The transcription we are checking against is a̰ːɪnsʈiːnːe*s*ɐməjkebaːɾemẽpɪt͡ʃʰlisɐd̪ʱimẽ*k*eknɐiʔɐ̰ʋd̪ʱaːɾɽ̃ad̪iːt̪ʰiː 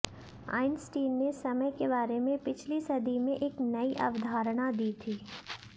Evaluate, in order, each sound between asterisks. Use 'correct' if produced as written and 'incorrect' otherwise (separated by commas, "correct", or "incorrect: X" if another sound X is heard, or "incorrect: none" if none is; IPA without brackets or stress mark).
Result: correct, incorrect: ʔ